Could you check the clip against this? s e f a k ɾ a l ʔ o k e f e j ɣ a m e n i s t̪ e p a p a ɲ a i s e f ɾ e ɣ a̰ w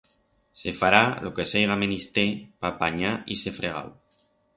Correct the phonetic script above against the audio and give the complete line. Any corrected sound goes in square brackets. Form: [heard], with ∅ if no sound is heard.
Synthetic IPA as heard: s e f a [∅] ɾ a l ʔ o k e [s] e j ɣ a m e n i s t̪ e p a p a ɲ a i s e f ɾ e ɣ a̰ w